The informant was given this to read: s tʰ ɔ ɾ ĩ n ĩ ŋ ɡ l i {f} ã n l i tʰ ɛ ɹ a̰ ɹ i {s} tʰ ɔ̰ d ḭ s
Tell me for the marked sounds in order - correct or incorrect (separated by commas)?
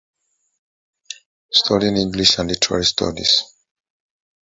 incorrect, correct